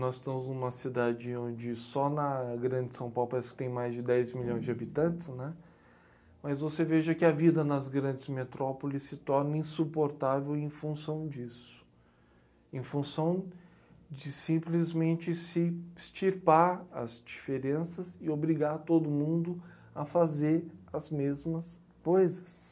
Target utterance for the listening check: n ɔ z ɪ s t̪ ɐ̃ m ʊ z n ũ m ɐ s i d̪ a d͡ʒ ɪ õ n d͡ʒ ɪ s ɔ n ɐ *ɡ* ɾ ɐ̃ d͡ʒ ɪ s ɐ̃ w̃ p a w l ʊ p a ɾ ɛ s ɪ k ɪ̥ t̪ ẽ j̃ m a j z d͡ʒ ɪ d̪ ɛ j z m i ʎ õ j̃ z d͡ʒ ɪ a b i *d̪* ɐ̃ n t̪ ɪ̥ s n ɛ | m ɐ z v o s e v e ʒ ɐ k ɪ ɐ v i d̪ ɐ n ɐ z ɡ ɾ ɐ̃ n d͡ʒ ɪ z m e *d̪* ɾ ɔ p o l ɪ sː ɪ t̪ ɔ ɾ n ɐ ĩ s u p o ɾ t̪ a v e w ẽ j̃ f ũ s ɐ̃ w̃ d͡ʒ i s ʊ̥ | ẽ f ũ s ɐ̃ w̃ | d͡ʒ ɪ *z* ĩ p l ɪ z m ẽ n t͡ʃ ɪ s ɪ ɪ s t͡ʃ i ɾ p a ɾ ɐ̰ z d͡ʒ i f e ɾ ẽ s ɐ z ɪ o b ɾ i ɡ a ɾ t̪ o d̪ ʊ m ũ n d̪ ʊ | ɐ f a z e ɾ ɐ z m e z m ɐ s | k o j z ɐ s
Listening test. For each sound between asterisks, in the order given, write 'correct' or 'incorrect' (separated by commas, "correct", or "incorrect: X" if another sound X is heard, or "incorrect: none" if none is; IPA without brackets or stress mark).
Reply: correct, incorrect: t̪, incorrect: t̪, incorrect: s